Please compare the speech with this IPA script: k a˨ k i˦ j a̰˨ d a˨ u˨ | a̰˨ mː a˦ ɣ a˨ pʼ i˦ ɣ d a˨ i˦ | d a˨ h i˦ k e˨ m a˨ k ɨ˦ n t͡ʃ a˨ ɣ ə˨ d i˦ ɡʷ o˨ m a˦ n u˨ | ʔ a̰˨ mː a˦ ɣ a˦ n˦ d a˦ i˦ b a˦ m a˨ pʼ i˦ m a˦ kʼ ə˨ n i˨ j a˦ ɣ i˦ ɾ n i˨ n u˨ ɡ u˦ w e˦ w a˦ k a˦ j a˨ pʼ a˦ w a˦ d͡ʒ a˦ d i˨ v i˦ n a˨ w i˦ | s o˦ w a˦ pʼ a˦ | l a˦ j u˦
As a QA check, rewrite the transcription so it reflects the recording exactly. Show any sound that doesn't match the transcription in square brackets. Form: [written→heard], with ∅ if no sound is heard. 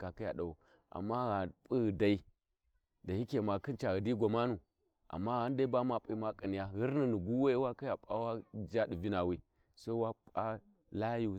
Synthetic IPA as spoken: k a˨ k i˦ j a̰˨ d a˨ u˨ | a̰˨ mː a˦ ɣ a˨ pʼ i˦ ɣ d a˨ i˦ | d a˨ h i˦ k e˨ m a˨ k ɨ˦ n t͡ʃ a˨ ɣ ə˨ d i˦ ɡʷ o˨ m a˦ n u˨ | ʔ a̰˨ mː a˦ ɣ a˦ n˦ d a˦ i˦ b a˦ m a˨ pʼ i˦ m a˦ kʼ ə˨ n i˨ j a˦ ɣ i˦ ɾ n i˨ n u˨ ɡ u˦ w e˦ w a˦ k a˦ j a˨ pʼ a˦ w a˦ d͡ʒ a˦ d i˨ v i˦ n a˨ w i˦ | s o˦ w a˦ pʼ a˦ | l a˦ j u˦